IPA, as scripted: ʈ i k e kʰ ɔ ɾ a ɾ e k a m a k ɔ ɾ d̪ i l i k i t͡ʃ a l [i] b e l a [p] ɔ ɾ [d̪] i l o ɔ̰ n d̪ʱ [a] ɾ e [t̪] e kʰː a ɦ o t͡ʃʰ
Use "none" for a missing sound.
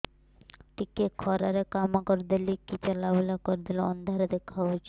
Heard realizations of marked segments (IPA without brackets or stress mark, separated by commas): a, k, d̪, a, d̪